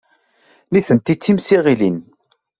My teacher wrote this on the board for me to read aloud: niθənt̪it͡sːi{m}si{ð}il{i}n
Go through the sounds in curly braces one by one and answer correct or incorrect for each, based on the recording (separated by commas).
correct, incorrect, correct